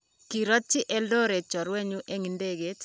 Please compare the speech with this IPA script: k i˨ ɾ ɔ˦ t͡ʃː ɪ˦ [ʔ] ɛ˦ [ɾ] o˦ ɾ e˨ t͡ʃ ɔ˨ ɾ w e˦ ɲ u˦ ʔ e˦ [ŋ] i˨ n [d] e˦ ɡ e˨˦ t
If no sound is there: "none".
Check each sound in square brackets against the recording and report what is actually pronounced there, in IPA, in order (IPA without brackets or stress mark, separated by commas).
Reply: ʔ, l, ŋ, d